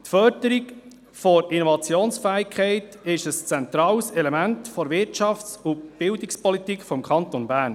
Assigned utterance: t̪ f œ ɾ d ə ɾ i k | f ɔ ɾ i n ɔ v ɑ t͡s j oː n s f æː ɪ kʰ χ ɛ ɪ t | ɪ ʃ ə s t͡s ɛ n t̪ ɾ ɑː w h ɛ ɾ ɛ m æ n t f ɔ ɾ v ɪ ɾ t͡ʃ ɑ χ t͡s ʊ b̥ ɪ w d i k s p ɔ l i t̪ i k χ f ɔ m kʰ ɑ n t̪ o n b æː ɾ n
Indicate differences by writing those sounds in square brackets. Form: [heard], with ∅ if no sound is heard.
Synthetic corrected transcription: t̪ f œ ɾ d ə ɾ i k | f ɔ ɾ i n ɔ v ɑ t͡s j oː n s f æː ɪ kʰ χ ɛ ɪ t | ɪ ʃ ə s t͡s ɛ n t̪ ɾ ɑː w [s] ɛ [l] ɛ m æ n t f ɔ ɾ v ɪ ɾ t͡ʃ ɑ [f] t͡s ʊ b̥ ɪ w d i k s p ɔ l i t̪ i k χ f ɔ m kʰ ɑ n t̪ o n b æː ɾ n